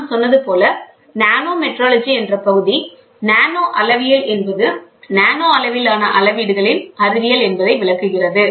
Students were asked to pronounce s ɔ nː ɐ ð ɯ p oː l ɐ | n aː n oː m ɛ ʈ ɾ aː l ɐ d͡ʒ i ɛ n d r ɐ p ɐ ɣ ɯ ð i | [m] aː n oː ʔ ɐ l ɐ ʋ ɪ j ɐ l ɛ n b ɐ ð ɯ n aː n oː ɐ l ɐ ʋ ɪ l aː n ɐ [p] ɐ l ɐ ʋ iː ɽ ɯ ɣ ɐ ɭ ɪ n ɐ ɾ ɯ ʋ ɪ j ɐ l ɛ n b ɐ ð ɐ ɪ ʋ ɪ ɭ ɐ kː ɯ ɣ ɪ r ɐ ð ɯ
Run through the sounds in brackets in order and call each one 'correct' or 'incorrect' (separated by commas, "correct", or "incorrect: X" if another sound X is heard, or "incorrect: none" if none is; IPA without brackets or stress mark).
incorrect: n, incorrect: ʔ